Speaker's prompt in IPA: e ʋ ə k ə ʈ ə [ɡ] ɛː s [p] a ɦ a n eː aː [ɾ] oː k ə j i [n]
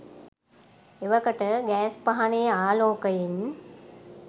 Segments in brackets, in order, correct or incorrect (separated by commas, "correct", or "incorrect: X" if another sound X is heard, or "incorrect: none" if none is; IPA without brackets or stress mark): correct, correct, incorrect: l, correct